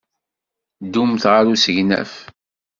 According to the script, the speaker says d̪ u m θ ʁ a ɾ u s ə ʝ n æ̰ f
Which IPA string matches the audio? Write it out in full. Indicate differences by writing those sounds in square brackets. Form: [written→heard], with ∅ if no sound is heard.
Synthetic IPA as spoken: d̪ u m θ ʁ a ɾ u s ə ʝ n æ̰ f